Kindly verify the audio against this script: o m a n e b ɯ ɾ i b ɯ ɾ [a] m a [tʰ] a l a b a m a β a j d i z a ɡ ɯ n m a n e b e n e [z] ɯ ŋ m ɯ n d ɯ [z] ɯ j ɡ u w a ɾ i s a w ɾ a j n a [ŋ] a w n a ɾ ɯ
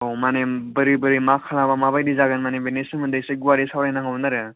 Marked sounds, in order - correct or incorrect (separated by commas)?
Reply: incorrect, incorrect, incorrect, incorrect, correct